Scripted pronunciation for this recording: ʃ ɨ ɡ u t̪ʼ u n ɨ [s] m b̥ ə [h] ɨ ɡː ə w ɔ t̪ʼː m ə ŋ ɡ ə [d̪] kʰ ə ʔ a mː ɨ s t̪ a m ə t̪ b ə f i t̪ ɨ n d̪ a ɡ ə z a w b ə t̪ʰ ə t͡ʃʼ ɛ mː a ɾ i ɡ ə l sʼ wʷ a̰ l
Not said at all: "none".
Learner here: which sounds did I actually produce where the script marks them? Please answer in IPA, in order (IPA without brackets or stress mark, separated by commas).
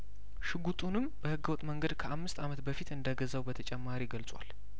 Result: none, h, d̪